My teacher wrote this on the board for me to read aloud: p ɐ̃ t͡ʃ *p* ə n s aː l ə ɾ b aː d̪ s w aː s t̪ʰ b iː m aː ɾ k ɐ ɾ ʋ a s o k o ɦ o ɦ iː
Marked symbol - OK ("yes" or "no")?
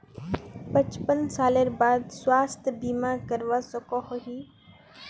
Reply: yes